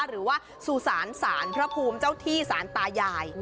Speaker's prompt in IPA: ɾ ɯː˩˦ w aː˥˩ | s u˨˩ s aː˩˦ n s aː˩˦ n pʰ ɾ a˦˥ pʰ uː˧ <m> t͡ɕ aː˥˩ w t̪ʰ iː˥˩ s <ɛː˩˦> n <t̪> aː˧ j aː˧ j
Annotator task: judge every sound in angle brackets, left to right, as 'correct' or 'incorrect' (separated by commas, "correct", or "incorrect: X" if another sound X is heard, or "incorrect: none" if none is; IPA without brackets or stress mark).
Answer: correct, incorrect: aː˩˦, correct